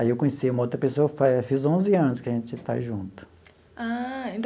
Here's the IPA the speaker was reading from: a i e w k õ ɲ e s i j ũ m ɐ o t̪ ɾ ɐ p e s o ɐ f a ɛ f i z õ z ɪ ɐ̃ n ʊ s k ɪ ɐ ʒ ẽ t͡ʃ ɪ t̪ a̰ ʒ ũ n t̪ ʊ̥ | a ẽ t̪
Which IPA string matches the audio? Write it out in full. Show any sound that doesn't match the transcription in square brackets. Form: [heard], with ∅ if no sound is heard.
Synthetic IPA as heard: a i e w k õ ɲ e s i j ũ m ɐ o t̪ ɾ ɐ p e s o ɐ f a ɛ f i z õ z ɪ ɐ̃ n ʊ s k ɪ ɐ ʒ ẽ t͡ʃ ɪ t̪ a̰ ʒ ũ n t̪ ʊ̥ | a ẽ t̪